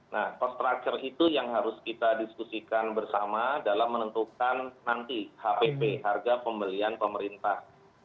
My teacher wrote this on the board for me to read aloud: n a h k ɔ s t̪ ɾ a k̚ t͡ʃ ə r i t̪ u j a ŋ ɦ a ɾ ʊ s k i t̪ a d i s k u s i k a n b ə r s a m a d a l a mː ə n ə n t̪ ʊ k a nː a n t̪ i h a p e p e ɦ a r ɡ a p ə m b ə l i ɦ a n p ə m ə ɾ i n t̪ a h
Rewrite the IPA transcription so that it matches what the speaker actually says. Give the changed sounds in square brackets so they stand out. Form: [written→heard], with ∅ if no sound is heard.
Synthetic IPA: n a h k ɔ s t̪ ɾ a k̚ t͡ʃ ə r i t̪ u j a ŋ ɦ a ɾ ʊ s k i t̪ a d i s k u s i k a n b ə r s a m a d a l a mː ə n ə n t̪ [ʊ→u] k a nː a n t̪ i h a p e p e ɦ a r ɡ a p ə m b ə l i [ɦ→∅] a n p ə m ə ɾ i n t̪ a h